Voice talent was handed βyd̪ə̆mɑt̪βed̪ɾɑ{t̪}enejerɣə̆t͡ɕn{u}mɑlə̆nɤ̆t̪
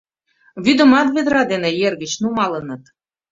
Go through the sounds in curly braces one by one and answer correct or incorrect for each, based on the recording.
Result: incorrect: d̪, correct

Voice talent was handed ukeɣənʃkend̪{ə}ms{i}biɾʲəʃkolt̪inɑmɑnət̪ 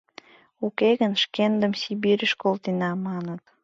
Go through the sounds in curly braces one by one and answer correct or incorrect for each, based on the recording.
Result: correct, correct

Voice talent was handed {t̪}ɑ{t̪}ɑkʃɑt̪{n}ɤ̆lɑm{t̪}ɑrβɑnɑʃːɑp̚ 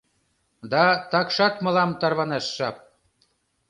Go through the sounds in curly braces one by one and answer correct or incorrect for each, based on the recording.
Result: incorrect: d̪, correct, incorrect: m, correct

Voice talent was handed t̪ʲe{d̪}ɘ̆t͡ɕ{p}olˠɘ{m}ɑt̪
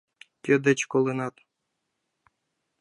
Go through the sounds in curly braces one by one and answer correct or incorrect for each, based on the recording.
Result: correct, incorrect: k, incorrect: n

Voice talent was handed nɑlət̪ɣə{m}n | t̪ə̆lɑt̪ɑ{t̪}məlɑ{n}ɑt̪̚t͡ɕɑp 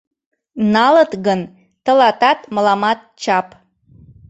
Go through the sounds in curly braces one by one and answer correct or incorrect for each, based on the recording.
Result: incorrect: none, correct, incorrect: m

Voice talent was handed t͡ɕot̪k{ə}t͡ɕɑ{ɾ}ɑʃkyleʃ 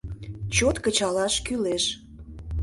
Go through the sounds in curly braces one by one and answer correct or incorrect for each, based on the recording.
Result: correct, incorrect: l

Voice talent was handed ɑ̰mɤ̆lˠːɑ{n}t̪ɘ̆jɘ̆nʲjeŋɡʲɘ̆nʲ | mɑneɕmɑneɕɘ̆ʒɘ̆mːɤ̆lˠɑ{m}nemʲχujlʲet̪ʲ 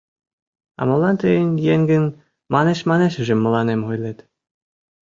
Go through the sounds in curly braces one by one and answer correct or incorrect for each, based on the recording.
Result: correct, incorrect: none

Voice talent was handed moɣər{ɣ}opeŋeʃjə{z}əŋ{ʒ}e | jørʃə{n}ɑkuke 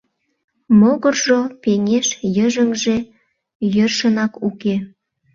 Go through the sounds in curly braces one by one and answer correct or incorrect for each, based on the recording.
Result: incorrect: ʒ, incorrect: ʒ, correct, correct

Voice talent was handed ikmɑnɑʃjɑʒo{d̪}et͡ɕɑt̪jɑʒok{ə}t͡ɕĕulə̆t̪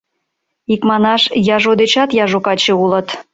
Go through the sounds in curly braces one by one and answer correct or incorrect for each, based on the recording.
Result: correct, incorrect: ɑ

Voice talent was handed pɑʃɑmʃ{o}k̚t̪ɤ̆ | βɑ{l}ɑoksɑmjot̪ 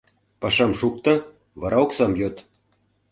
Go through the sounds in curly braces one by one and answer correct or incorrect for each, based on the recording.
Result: incorrect: u, incorrect: ɾ

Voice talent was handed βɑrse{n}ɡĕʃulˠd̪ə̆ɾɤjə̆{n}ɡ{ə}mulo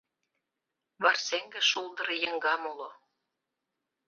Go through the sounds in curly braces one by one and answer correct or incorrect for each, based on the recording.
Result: incorrect: ŋ, incorrect: ŋ, incorrect: ɑ

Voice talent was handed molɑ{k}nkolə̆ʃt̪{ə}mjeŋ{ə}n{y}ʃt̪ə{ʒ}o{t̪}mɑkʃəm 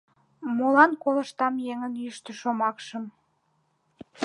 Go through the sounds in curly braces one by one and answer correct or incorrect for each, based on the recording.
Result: incorrect: none, incorrect: ɑ, correct, correct, incorrect: ʃ, incorrect: none

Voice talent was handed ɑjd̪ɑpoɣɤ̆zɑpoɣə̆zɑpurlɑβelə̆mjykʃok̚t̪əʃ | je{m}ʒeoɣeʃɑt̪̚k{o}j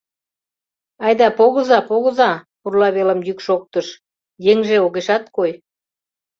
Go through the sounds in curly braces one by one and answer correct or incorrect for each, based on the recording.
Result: incorrect: ŋ, correct

